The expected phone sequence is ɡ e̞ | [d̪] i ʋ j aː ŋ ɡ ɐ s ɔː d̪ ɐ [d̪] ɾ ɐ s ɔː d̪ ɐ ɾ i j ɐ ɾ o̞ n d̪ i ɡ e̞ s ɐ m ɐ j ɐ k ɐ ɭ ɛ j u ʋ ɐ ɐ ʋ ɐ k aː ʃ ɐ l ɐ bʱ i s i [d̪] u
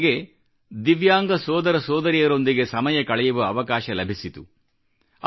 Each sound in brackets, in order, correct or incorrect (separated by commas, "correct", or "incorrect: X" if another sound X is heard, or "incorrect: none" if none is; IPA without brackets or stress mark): correct, incorrect: none, incorrect: t̪